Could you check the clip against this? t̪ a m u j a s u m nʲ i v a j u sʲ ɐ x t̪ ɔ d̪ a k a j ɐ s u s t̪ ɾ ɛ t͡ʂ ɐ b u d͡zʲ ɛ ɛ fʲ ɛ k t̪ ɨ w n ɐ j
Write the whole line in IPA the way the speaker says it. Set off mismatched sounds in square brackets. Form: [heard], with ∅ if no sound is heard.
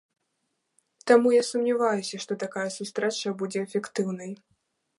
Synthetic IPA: t̪ a m u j a s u m nʲ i v a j u sʲ ɐ [ʂ] t̪ ɔ [t̪] a k a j ɐ s u s t̪ ɾ ɛ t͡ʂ ɐ b u d͡zʲ ɛ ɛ fʲ ɛ k t̪ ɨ w n ɐ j